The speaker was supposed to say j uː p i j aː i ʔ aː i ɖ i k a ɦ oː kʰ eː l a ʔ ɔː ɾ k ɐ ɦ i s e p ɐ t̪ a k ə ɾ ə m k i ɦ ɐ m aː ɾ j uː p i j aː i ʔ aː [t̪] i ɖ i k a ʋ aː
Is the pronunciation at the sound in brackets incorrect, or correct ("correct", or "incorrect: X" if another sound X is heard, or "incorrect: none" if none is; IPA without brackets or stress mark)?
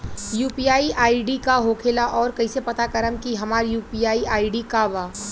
incorrect: none